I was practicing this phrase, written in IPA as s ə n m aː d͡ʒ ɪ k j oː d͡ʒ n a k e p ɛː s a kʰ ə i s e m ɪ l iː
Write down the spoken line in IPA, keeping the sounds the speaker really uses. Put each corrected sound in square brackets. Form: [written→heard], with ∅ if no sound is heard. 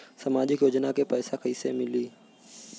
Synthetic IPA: s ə [n→∅] m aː d͡ʒ ɪ k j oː d͡ʒ n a k e p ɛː s a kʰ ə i s e m ɪ l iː